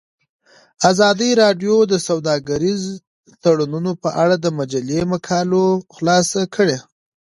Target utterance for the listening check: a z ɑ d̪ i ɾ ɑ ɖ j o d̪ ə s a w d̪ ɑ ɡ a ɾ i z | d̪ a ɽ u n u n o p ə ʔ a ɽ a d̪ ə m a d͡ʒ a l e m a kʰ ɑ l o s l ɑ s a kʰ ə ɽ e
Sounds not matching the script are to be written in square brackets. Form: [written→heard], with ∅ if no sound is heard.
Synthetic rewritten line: a z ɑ d̪ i ɾ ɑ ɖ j o d̪ ə s a w d̪ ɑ ɡ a ɾ i z | [d̪→t̪] a ɽ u n u n o p ə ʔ a ɽ a d̪ ə m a d͡ʒ a l e m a kʰ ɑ l o [s→x] l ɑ s a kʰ ə ɽ e